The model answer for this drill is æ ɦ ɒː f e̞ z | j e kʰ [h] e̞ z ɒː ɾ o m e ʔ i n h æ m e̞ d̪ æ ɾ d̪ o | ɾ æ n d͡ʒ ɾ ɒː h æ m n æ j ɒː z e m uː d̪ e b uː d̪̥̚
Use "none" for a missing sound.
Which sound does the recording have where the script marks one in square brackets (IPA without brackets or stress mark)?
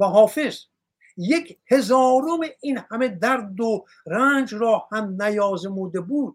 h